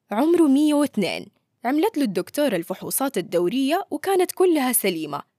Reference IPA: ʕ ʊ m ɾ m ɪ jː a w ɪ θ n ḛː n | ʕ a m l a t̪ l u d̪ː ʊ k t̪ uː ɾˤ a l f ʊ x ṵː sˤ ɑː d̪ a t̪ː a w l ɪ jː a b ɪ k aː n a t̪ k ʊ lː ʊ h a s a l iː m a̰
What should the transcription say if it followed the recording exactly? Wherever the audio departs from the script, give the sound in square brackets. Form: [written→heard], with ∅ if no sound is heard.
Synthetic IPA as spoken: ʕ ʊ m ɾ m ɪ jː a w ɪ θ n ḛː n | ʕ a m l a t̪ l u d̪ː ʊ k t̪ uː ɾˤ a l f ʊ [x→ħ] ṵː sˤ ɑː [d̪→t̪] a [t̪ː→d̪ː] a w [l→ɾ] ɪ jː a [b→w] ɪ k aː n a t̪ k ʊ lː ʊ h a s a l iː m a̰